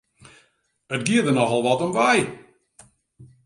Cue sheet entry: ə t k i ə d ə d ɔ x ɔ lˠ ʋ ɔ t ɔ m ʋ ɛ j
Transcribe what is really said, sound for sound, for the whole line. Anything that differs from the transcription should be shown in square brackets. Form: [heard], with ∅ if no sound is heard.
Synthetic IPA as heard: ə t [ɡ] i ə d ə [n] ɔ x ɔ lˠ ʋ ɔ t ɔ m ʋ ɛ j